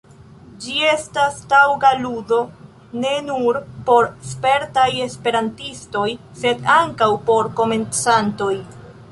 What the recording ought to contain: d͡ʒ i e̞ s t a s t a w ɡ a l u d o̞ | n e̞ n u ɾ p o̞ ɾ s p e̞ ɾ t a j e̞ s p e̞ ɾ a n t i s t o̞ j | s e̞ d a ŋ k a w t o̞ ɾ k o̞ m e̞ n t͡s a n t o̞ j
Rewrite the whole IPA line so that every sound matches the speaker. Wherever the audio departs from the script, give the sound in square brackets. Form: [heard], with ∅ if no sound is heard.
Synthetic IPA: d͡ʒ i e̞ s t a s t a w ɡ a l u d o̞ | n e̞ n u ɾ p o̞ ɾ s p e̞ ɾ t a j e̞ s p e̞ ɾ a n t i s t o̞ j | s e̞ d a ŋ k a w [p] o̞ ɾ k o̞ m e̞ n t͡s a n t o̞ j